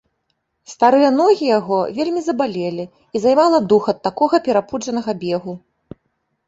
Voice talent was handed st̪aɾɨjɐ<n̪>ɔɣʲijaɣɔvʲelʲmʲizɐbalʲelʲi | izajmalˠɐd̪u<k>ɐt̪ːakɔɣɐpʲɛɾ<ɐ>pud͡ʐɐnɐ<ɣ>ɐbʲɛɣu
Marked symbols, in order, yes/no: yes, no, no, yes

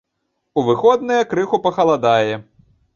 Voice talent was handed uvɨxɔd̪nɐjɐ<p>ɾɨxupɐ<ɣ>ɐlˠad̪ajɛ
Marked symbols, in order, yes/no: no, no

